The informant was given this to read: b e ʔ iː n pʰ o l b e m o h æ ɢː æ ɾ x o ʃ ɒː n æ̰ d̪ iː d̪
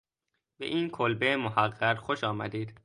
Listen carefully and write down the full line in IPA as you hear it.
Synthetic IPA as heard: b e ʔ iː n kʰ o l b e m o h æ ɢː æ ɾ x o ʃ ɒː m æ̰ d̪ iː d̪